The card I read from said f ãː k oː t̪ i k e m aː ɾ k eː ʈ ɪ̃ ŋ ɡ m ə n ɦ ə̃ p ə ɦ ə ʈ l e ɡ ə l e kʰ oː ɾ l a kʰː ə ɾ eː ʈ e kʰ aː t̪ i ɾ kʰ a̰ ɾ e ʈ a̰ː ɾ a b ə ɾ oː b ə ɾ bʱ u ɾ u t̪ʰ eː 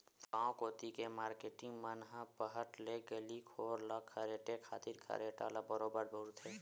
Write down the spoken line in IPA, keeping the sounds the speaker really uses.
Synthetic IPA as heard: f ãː k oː t̪ i k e m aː ɾ k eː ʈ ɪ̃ ŋ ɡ m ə n ɦ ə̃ p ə ɦ ə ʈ l e ɡ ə l i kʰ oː ɾ l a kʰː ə ɾ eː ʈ e kʰ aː t̪ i ɾ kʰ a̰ ɾ e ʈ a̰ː l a b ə ɾ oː b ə ɾ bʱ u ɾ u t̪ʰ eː